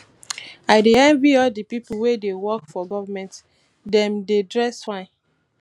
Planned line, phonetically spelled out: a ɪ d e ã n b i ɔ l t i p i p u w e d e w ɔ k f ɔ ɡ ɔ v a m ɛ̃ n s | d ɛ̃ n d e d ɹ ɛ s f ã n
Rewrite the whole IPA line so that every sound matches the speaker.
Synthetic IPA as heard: a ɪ d e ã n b i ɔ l d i p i p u w e d e w ɔ k f ɔ ɡ ɔ v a m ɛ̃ n t | d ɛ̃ m d e d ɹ ɛ s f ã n